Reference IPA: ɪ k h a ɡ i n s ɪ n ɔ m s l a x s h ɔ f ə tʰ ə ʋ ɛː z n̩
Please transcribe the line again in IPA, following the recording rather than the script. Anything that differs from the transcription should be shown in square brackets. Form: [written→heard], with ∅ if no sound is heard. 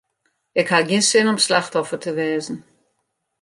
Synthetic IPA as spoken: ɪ k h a ɡ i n s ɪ n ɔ m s l a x [s→t] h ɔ f ə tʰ ə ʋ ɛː z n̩